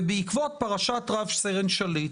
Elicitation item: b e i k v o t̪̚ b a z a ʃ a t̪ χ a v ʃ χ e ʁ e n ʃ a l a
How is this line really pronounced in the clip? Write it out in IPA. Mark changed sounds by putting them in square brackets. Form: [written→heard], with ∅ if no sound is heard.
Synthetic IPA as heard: b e i k v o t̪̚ [b→p] a [z→ʁ] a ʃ a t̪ [χ→ʁ] a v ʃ [χ→s] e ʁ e n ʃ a l [a→i]

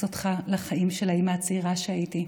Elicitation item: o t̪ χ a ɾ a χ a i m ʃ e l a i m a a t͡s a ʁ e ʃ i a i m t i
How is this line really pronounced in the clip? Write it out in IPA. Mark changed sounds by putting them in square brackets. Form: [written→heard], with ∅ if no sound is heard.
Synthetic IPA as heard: o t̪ χ a [ɾ→l] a χ a i m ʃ e l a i m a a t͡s [a→i] ʁ [e→a] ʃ [i→e] a i [m→∅] t i

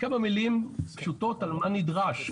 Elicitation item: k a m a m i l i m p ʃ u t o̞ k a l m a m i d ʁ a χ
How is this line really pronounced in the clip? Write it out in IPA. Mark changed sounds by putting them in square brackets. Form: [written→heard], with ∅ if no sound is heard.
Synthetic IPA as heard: k a m a m i l i m p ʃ u t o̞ [k→t] a l m a [m→n] i d ʁ a [χ→ʃ]

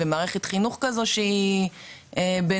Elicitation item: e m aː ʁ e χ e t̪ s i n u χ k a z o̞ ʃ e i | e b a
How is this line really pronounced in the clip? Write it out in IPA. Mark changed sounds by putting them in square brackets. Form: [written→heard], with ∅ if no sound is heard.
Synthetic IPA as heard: e m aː ʁ e χ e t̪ [s→χ] i n u χ k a z o̞ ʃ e i | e b [a→e]

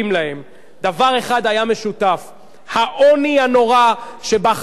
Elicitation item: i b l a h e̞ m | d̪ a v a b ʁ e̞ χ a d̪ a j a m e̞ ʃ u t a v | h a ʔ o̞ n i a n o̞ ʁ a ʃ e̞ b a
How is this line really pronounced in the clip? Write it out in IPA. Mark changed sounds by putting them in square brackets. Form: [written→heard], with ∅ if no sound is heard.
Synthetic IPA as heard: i [b→m] l a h e̞ m | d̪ a v a [b→∅] ʁ e̞ χ a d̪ a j a m e̞ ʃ u t a [v→f] | h a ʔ o̞ n i a n o̞ ʁ a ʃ e̞ b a

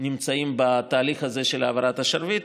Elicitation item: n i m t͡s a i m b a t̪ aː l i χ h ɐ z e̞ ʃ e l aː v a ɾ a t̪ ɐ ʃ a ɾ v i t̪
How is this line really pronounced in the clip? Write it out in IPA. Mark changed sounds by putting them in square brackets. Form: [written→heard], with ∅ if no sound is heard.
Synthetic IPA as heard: n i m t͡s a i m b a t̪ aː l i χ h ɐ z e̞ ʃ e l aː v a ɾ a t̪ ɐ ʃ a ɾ v i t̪

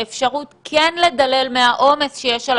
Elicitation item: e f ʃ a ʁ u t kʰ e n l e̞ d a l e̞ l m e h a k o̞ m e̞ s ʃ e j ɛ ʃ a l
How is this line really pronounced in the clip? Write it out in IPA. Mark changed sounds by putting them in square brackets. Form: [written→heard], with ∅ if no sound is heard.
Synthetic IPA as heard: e f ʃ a ʁ u t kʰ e n l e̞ d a l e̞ l m e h a [k→ʔ] o̞ m e̞ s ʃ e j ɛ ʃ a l

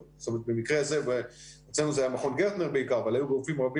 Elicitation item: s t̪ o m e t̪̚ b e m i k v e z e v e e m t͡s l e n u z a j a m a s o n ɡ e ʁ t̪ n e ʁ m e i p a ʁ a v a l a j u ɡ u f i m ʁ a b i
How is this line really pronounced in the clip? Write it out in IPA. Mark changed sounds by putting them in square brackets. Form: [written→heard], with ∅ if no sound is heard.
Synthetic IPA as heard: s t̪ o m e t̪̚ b e m i k [v→ʁ] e z e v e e [m→∅] t͡s l e n u z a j a m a [s→χ] o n ɡ e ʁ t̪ n e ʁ [m→b] e i [p→k] a ʁ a v a l a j u ɡ u f i m ʁ a b i

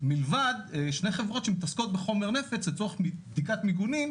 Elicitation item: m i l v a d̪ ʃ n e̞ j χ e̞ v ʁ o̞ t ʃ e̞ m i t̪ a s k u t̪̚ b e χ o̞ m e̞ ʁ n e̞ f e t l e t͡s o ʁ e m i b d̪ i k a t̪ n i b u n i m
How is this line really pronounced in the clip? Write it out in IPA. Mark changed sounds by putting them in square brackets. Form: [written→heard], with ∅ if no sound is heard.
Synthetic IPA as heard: m i l v a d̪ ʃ n e̞ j χ e̞ v ʁ o̞ t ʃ e̞ m i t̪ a s k [u→o] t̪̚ b e χ o̞ m e̞ ʁ n e̞ f e [t→t͡s] l e t͡s o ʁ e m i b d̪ i k a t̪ [n→m] i [b→ɡ] u n i m

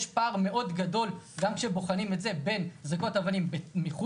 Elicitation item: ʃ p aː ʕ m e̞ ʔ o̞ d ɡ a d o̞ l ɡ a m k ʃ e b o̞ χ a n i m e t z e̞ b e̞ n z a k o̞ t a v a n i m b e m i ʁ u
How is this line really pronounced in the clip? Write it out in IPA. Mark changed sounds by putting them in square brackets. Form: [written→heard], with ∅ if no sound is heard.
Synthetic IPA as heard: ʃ p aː [ʕ→ʁ] m e̞ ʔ o̞ d ɡ a d o̞ l ɡ a m k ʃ e b o̞ χ a n i m e t z e̞ b e̞ n z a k o̞ t a v a n i m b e m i [ʁ→χ] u

